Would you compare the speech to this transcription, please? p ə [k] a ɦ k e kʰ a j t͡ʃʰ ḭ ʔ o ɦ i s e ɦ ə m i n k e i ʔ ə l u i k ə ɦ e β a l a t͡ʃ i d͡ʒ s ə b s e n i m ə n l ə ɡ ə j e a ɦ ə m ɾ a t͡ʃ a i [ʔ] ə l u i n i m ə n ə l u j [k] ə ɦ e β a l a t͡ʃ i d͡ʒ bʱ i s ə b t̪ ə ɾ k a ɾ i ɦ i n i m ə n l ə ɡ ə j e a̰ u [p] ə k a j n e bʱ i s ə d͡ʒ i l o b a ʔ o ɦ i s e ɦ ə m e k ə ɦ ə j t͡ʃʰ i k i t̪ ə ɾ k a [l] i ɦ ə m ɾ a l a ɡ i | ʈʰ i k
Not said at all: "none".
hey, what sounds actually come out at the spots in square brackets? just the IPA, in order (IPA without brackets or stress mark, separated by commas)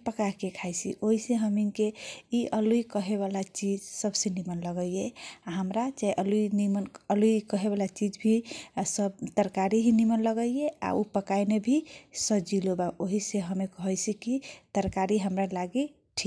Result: k, ʔ, k, p, ɾ